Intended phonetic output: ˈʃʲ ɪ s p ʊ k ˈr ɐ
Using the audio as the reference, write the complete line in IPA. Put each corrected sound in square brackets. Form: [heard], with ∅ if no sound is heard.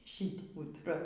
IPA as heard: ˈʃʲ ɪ [t] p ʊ [t] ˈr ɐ